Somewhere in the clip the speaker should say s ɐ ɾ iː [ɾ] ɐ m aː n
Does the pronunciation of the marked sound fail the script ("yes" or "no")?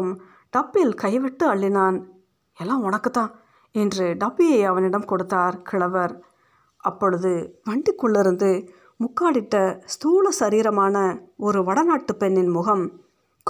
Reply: no